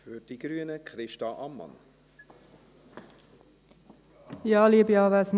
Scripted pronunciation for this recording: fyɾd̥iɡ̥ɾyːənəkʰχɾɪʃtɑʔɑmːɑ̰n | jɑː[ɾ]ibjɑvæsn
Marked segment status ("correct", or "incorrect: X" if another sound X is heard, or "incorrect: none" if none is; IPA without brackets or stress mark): incorrect: l